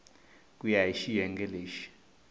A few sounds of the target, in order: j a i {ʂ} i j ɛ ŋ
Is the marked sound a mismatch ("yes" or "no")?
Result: yes